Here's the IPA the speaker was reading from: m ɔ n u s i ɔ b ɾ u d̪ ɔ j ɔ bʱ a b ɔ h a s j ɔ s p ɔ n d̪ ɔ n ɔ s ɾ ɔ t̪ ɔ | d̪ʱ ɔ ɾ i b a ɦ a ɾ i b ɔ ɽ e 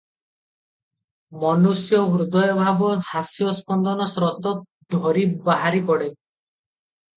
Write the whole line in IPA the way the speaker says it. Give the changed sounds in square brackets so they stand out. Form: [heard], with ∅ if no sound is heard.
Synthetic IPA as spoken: m ɔ n u s [j] ɔ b ɾ u d̪ ɔ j ɔ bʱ a b ɔ h a s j ɔ s p ɔ n d̪ ɔ n ɔ s ɾ ɔ t̪ ɔ | d̪ʱ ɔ ɾ i b a ɦ a ɾ i [p] ɔ ɽ e